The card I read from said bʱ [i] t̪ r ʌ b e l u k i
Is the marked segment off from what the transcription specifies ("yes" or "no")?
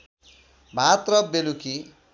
yes